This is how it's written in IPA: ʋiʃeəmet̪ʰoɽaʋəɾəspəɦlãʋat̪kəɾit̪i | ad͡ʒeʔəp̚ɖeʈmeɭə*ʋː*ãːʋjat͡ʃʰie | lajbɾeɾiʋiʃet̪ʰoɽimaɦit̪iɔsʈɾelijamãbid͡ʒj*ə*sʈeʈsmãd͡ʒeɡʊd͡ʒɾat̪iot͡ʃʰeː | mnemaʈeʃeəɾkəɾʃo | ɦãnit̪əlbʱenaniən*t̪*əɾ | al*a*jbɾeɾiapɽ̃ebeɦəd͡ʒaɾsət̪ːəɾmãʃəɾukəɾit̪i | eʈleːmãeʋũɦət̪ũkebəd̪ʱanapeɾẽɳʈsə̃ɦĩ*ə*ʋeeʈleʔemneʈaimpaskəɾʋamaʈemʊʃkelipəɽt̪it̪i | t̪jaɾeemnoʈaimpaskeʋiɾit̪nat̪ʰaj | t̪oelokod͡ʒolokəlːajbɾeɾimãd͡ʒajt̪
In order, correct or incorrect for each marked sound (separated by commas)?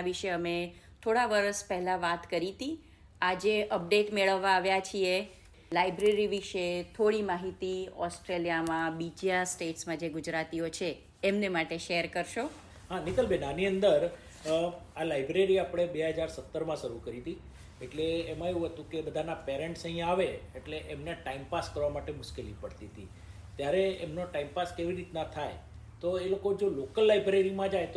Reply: correct, incorrect, incorrect, correct, incorrect